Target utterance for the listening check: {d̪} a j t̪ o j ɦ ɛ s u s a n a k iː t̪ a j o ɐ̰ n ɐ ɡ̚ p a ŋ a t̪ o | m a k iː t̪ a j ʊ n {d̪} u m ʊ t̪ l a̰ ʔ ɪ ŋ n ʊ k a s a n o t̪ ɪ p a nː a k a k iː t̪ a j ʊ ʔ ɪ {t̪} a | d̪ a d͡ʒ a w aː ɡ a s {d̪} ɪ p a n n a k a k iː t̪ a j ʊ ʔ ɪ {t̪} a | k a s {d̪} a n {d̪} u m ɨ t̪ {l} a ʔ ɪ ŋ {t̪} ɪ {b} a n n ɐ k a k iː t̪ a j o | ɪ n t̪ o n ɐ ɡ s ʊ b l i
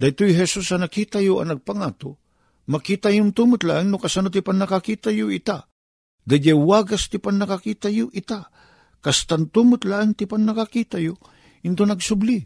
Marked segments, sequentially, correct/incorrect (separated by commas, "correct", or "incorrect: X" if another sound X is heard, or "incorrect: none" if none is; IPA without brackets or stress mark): correct, incorrect: t̪, correct, incorrect: t̪, correct, incorrect: t̪, incorrect: t̪, correct, correct, incorrect: p